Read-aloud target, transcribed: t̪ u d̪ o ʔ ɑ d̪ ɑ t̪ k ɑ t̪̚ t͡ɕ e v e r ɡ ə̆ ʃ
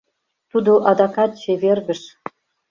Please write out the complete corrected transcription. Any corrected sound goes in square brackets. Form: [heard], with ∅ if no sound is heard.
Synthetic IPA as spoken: t̪ u d̪ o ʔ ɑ d̪ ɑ [∅] k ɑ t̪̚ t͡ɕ e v e r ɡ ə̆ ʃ

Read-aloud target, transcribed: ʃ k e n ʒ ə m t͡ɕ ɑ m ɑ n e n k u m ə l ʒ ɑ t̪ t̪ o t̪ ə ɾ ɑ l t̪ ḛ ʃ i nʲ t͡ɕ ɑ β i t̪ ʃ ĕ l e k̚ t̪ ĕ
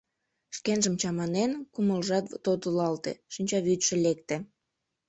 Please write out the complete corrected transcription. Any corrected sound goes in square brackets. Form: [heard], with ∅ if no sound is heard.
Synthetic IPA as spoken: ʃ k e n ʒ ə m t͡ɕ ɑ m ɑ n e n k u m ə l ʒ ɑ t̪ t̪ o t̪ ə [l] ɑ l t̪ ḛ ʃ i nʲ t͡ɕ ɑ β [y] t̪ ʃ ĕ l e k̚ t̪ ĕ

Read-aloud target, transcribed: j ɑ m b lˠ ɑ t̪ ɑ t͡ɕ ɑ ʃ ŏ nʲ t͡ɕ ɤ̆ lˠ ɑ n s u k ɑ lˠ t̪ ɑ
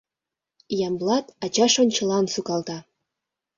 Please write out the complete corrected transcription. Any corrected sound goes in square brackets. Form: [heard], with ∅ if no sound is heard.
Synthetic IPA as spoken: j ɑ m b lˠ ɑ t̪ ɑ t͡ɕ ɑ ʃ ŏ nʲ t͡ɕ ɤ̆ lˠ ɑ n s u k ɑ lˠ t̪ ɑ

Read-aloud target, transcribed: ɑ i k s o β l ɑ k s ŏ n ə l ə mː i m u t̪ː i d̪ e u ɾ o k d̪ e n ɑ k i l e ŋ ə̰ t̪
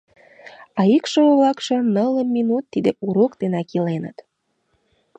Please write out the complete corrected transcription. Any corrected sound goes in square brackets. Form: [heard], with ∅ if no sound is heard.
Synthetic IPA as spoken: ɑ i k [ʃ] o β l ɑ k [ʃ] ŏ n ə l ə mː i [n] u t̪ː i d̪ e u ɾ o k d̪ e n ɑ k i l e [n] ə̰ t̪

